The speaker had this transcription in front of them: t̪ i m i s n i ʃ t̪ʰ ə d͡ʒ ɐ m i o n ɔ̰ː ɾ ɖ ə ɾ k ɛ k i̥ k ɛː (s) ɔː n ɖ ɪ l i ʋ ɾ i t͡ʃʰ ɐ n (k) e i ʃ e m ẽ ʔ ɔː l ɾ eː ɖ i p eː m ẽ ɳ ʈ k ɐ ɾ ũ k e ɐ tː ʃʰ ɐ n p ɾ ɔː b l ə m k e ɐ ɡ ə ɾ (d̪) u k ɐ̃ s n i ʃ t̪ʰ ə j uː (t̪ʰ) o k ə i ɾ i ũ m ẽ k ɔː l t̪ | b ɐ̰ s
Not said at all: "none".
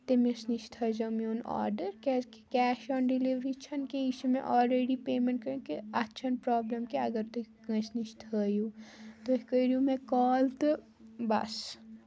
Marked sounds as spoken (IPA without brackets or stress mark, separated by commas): ʃ, k, t̪, t̪